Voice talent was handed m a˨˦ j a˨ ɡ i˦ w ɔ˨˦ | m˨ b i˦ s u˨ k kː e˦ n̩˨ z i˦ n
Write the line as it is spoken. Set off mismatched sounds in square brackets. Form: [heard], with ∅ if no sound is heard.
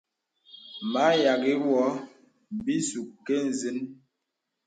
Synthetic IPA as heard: m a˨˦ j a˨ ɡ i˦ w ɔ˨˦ | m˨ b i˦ s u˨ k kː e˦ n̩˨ z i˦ n